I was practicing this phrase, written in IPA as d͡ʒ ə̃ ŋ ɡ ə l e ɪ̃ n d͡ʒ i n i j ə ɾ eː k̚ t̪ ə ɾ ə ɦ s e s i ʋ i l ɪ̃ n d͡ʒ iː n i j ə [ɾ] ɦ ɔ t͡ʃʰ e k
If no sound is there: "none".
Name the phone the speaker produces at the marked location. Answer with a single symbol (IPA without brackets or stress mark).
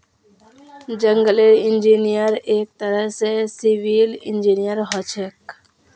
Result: ɾ